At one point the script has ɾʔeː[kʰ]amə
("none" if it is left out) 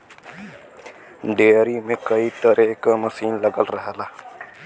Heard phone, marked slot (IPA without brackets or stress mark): k